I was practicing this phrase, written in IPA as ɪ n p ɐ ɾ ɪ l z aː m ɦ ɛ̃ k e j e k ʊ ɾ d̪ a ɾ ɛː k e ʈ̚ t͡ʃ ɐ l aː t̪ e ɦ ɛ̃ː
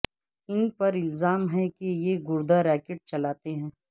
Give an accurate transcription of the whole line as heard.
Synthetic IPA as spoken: ɪ n p ɐ ɾ ɪ l z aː m ɦ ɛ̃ k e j e ɡ ʊ ɾ d̪ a ɾ ɛː k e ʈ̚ t͡ʃ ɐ l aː t̪ e ɦ ɛ̃ː